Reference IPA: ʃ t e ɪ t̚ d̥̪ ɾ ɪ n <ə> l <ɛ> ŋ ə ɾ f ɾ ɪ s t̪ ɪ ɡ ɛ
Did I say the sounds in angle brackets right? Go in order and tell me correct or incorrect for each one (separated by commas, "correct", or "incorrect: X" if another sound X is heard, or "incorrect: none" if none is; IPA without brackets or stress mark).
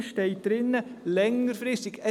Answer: correct, correct